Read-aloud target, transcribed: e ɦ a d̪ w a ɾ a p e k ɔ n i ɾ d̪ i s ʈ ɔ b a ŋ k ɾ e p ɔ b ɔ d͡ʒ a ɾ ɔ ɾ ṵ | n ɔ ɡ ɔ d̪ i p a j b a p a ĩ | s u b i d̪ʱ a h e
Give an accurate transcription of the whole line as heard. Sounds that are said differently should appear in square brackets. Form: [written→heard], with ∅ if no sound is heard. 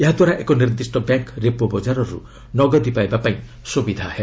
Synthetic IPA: e ɦ a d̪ w a ɾ a [p→ʔ] e k ɔ n i ɾ d̪ i s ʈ ɔ b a ŋ k ɾ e p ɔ b ɔ d͡ʒ a ɾ ɔ ɾ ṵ | n ɔ ɡ ɔ d̪ i p a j b a p a ĩ | s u b i d̪ʱ a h e